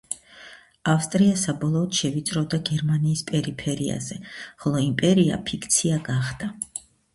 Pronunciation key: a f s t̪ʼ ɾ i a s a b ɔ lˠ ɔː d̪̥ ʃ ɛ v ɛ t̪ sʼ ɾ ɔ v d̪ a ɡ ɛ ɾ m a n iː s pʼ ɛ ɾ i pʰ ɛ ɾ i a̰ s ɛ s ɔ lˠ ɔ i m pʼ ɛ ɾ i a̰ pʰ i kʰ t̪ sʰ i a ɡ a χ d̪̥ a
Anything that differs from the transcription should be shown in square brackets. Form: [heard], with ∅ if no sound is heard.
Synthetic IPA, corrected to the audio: a f s t̪ʼ ɾ i a s a b ɔ lˠ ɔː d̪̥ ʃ ɛ v [i] t̪ sʼ ɾ ɔ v d̪ a ɡ ɛ ɾ m a n iː s pʼ ɛ ɾ i pʰ ɛ ɾ i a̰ [z] ɛ [χ] ɔ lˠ ɔ i m pʼ ɛ ɾ i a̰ pʰ i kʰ t̪ sʰ i a ɡ a χ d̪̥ a